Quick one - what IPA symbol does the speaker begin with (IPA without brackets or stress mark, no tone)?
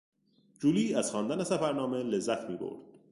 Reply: d͡ʒ